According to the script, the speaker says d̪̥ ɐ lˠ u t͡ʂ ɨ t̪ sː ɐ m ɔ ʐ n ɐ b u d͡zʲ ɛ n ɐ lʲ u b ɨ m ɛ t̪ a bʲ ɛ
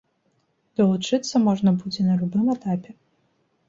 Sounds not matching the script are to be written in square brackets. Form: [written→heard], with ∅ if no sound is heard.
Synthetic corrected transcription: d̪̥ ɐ lˠ u t͡ʂ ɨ t̪ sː ɐ m ɔ ʐ n ɐ b u d͡zʲ ɛ n ɐ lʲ u b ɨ m ɛ t̪ a [bʲ→pʲ] ɛ